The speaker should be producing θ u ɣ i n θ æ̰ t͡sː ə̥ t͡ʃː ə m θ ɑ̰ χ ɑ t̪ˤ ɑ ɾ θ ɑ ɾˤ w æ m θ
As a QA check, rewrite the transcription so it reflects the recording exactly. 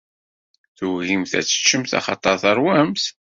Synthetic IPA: θ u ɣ i m θ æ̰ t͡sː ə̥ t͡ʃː ə m θ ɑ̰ χ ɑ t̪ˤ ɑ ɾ θ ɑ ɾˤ w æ m θ